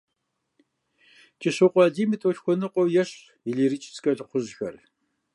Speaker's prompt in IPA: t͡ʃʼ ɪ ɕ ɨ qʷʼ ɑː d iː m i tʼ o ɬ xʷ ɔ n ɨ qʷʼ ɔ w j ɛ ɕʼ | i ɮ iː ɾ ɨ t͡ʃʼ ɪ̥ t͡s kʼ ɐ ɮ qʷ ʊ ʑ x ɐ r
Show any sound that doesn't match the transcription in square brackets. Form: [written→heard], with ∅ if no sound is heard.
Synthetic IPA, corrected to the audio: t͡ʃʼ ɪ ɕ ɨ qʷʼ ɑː d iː m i tʼ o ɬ xʷ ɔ n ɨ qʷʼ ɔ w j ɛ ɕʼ | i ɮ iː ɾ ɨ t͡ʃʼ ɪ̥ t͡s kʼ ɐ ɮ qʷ ʊ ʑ x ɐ r